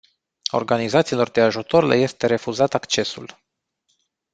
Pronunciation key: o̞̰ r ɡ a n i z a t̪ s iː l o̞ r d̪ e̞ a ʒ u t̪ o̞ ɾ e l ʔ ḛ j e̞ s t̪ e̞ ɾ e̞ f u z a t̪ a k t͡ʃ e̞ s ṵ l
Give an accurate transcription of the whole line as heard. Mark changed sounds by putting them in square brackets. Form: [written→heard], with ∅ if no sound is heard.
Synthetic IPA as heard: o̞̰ r ɡ a n i z a t̪ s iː l o̞ r d̪ e̞ a ʒ u t̪ o̞ ɾ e l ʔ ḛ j e̞ s t̪ e̞ ɾ e̞ f u z a t̪ a k t͡ʃ e̞ s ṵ l